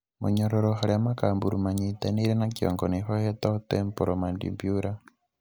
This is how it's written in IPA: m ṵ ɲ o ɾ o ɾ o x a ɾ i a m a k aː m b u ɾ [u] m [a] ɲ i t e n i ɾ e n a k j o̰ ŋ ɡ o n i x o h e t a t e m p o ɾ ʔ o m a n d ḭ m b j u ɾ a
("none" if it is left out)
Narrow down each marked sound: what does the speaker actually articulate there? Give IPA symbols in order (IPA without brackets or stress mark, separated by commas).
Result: u, a